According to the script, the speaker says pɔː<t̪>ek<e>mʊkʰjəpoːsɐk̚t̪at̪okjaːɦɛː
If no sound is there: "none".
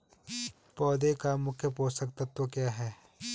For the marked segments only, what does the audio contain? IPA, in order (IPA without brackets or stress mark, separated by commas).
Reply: d̪, a